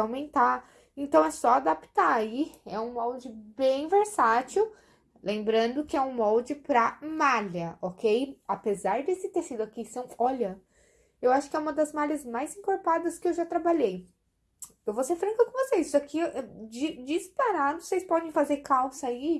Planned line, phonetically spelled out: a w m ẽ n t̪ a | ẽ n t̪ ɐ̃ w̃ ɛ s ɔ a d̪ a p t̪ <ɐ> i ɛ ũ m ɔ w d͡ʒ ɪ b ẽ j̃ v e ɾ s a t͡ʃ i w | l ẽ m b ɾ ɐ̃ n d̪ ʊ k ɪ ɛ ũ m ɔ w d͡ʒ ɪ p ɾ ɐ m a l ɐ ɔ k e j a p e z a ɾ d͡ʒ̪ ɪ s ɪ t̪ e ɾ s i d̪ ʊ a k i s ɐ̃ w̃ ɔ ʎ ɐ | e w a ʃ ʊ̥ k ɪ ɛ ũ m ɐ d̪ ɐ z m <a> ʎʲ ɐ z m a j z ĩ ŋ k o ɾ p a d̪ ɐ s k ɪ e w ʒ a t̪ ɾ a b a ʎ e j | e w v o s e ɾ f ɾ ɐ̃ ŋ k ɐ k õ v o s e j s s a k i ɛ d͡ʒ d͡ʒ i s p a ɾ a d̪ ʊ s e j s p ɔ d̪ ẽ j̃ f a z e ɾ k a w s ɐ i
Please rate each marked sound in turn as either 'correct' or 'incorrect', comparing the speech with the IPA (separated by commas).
incorrect, correct